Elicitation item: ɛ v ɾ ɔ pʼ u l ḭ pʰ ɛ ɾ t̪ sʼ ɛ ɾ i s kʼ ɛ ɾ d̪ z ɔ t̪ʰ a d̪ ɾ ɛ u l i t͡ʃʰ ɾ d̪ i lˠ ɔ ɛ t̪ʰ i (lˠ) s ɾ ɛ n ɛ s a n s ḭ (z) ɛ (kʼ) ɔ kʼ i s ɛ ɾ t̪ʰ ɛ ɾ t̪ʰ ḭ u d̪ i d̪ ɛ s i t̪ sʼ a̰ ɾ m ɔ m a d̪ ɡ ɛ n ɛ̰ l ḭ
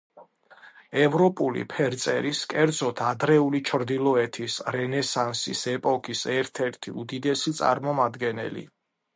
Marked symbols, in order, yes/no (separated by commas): no, no, no